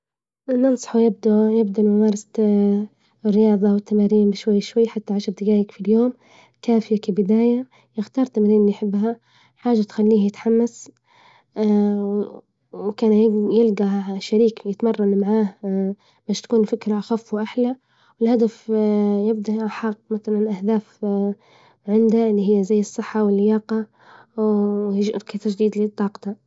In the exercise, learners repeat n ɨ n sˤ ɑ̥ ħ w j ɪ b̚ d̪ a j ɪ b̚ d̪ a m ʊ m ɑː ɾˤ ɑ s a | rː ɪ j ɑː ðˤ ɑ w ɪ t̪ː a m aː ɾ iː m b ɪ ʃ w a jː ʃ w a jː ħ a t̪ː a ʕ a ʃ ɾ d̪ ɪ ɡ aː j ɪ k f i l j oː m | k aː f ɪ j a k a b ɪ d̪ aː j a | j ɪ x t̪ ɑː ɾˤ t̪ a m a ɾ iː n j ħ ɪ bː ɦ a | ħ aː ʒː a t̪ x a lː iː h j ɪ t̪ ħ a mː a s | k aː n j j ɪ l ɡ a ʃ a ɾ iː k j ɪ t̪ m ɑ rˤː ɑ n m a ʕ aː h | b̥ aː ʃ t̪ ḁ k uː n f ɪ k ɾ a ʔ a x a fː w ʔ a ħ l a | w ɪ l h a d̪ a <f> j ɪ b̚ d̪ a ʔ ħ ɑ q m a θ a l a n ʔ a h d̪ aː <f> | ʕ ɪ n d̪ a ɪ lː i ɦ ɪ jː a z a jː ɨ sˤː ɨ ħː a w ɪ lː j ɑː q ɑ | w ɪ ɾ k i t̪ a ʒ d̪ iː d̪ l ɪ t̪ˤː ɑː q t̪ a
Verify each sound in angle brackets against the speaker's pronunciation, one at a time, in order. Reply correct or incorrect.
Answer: correct, correct

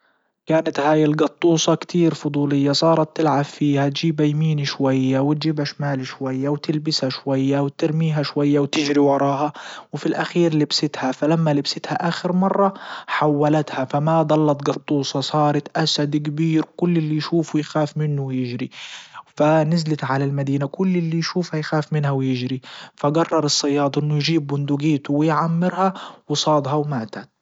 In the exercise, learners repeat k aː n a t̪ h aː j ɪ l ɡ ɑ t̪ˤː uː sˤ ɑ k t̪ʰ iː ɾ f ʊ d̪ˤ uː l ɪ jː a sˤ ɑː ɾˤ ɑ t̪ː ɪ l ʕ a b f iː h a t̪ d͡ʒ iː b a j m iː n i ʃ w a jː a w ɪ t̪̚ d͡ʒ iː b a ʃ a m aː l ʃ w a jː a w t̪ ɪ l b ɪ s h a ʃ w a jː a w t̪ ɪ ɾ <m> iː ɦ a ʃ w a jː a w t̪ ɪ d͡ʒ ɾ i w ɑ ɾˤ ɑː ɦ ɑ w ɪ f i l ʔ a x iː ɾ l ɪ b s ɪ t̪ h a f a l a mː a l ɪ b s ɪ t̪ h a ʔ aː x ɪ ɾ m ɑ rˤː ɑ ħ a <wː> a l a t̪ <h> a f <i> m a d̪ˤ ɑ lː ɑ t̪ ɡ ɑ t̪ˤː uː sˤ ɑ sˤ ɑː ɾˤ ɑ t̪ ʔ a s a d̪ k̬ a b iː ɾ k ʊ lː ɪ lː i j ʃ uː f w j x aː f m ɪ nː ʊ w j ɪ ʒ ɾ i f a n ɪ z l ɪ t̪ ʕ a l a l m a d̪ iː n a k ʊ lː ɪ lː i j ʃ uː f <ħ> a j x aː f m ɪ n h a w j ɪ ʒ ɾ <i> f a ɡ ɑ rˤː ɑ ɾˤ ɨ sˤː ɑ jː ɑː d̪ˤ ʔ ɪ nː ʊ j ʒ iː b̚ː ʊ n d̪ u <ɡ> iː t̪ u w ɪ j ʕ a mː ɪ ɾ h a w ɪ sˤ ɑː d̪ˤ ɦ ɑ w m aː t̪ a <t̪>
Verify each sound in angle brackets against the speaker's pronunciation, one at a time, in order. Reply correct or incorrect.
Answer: correct, correct, correct, incorrect: a, incorrect: h, correct, correct, correct

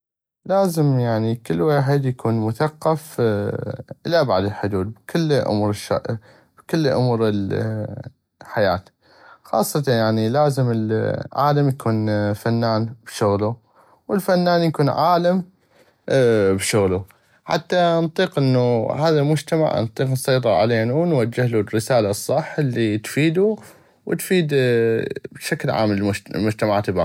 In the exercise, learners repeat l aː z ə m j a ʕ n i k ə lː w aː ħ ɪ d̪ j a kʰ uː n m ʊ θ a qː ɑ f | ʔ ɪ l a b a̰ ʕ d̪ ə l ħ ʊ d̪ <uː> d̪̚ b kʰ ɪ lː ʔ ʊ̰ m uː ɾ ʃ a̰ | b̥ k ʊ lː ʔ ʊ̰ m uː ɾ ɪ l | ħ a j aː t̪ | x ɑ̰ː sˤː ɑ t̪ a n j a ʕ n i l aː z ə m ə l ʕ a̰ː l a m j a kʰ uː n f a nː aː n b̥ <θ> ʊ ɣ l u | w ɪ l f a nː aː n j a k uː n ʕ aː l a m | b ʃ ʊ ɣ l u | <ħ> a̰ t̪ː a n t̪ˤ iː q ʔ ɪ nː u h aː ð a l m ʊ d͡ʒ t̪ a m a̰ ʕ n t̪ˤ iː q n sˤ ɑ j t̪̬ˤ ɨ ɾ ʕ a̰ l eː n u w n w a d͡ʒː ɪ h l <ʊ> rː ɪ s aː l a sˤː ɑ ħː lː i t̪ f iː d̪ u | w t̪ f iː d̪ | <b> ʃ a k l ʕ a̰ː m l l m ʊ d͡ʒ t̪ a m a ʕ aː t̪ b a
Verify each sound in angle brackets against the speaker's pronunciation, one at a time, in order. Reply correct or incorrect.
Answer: correct, incorrect: ʃ, correct, incorrect: u, correct

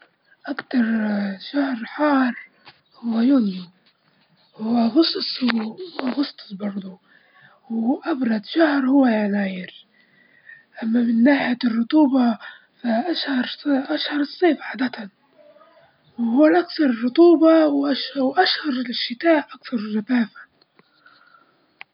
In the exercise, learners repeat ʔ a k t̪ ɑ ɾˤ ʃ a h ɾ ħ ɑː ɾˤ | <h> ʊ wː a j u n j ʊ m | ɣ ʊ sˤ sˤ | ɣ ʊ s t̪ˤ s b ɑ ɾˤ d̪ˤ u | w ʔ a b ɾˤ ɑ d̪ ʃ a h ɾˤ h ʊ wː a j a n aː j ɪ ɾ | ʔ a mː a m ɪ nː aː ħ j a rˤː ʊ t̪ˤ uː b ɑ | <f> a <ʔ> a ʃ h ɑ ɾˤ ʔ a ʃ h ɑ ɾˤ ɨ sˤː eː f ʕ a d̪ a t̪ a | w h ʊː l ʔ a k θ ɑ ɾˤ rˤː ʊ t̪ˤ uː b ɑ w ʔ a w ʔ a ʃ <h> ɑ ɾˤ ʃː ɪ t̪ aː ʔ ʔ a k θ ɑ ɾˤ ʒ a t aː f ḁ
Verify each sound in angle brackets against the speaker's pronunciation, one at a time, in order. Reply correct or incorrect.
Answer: correct, correct, correct, correct

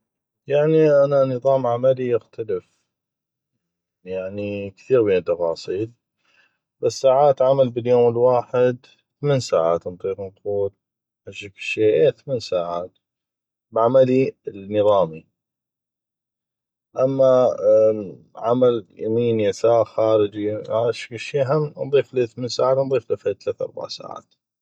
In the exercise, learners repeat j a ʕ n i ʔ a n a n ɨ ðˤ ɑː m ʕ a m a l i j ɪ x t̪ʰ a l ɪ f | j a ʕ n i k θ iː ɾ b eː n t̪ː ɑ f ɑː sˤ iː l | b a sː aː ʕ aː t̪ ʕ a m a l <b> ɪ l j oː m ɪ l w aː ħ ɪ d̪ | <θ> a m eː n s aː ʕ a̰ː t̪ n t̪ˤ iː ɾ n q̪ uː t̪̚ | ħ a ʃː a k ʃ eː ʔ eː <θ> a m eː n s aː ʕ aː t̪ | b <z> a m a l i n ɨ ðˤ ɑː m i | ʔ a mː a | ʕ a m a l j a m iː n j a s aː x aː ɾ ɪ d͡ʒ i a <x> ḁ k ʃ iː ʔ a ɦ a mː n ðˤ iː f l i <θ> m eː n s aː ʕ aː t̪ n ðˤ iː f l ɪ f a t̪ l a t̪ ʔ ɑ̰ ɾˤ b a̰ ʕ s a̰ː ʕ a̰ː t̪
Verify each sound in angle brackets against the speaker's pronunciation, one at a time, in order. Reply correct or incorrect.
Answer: correct, correct, correct, incorrect: ʕ, incorrect: ʃ, correct

